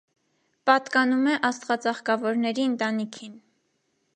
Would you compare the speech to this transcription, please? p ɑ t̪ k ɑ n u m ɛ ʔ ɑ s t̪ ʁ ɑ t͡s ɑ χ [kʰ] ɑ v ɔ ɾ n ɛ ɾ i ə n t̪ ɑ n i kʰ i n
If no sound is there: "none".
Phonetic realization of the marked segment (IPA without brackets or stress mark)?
k